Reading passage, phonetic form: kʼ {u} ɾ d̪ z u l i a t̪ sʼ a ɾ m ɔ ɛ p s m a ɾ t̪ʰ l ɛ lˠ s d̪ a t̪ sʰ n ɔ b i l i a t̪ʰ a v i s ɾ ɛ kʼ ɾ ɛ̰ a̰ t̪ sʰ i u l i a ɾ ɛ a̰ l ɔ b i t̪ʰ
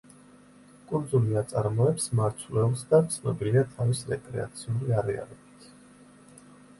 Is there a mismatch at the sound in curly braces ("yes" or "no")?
no